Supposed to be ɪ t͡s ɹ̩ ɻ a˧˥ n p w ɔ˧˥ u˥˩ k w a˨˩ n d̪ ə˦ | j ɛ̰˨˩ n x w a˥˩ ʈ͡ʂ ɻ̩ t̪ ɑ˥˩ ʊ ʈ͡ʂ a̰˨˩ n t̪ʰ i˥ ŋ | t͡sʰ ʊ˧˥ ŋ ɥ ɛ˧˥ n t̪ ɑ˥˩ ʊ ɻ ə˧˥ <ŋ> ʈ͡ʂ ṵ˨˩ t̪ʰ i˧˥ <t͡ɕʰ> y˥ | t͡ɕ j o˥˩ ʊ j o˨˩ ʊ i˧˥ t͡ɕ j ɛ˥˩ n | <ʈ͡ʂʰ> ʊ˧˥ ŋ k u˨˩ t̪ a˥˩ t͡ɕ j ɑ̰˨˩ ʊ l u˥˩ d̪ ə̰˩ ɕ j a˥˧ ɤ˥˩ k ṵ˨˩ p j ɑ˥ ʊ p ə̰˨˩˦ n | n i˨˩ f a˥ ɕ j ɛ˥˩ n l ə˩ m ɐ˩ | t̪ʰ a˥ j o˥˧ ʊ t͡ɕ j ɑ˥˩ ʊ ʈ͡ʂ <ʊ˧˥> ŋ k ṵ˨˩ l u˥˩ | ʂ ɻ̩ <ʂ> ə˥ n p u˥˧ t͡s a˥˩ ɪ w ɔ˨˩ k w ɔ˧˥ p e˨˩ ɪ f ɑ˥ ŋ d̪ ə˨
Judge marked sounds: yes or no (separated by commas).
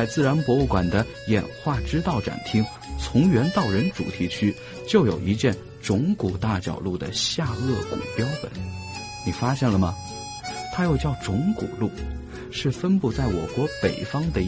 no, yes, no, yes, no